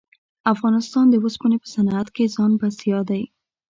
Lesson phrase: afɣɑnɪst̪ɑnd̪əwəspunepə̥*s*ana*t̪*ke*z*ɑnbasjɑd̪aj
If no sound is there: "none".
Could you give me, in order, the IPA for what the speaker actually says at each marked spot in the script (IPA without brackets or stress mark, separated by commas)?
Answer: s, t̪, z